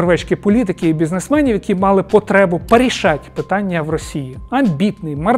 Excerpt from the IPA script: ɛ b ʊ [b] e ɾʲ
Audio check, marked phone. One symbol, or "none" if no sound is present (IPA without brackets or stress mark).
p